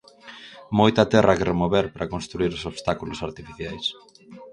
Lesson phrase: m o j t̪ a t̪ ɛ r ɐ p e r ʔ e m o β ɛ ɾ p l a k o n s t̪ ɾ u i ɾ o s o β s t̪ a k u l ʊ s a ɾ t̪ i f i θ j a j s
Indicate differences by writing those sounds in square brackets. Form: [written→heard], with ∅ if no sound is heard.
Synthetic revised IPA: m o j t̪ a t̪ ɛ r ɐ [p→k] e r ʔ e m o β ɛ ɾ p [l→ɾ] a k o n s t̪ ɾ u i ɾ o s o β s t̪ a k u l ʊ s a ɾ t̪ i f i θ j a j s